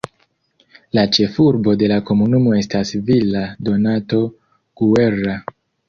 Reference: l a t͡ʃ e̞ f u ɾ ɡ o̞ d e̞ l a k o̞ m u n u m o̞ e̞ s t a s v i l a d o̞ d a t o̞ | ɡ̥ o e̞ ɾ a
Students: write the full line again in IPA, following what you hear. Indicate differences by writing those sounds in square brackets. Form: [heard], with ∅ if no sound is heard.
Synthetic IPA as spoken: l a t͡ʃ e̞ f u ɾ [b] o̞ d e̞ l a k o̞ m u n u m o̞ e̞ s t a s v i l a d o̞ [n] a t o̞ | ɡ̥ [u] e̞ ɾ a